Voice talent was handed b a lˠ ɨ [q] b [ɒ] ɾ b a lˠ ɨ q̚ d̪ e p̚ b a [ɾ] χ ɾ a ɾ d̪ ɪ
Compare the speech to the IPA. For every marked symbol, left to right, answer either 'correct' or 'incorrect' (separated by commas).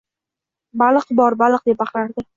correct, correct, incorrect